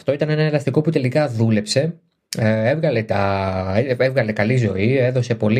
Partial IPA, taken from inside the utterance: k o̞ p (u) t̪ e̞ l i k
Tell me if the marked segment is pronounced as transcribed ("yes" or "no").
yes